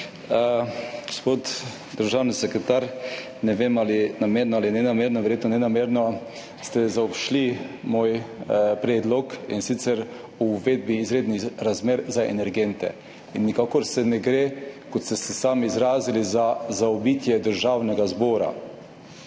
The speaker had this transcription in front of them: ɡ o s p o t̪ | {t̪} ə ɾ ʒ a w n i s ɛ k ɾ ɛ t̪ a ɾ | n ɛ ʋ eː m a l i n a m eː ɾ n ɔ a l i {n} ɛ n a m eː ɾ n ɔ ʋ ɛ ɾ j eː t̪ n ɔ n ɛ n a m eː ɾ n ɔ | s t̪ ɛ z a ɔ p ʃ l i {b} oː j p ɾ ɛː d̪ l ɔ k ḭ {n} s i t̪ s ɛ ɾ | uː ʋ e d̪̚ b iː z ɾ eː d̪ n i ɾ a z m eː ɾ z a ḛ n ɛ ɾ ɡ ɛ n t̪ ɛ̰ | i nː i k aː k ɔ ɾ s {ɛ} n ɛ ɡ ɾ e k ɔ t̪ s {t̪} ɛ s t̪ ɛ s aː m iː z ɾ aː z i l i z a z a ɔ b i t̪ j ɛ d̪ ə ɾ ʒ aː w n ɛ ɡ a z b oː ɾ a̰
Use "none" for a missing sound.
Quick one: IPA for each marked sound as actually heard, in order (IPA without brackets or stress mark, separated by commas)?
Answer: d̪, n, m, n, ɛ, t̪